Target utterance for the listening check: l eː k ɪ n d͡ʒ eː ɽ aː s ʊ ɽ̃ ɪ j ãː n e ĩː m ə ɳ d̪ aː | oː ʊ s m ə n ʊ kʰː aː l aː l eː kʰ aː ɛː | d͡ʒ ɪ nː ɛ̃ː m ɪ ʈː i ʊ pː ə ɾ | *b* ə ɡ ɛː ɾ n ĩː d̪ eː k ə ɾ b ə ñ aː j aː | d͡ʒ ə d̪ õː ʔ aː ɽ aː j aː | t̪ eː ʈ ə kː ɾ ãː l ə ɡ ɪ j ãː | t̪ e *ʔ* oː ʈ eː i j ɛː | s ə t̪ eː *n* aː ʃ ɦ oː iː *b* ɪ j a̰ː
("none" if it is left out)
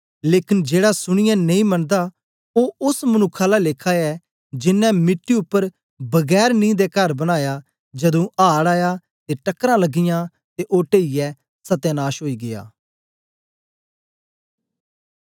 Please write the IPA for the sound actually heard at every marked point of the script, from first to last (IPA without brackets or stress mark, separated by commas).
b, ʔ, n, ɡ